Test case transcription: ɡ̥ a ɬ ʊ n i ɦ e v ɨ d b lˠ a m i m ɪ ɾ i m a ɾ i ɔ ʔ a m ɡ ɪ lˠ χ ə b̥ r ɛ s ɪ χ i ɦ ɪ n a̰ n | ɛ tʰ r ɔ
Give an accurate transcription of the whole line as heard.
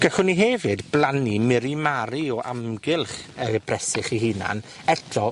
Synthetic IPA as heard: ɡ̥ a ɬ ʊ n i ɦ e v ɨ d b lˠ a n i m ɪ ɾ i m a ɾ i ɔ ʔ a m ɡ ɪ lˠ χ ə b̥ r ɛ s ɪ χ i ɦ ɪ n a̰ n | ɛ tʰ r ɔ